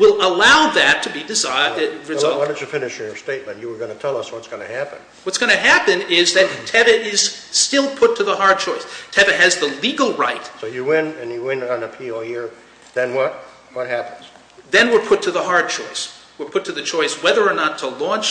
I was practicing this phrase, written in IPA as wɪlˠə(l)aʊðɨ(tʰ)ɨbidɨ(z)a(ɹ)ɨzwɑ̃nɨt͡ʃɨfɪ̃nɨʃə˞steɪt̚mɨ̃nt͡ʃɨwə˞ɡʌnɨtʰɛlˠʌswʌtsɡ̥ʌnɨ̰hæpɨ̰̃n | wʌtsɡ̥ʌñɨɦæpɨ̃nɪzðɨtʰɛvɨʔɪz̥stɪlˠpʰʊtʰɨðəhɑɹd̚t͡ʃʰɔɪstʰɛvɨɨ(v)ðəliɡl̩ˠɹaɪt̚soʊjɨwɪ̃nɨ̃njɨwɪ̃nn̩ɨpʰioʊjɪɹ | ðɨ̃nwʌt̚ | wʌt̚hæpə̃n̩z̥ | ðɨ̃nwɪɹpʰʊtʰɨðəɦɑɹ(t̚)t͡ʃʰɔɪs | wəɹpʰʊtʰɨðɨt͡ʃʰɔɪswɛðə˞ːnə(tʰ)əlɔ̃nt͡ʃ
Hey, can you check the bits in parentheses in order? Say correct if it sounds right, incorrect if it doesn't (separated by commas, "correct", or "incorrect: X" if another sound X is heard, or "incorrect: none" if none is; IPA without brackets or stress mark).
correct, correct, correct, correct, incorrect: z, incorrect: d̚, correct